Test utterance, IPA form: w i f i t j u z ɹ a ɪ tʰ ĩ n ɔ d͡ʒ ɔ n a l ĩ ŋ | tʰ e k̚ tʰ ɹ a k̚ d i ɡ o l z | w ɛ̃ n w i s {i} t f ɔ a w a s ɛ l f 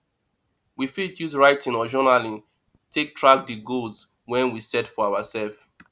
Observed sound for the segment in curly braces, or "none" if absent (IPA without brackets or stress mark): ɛ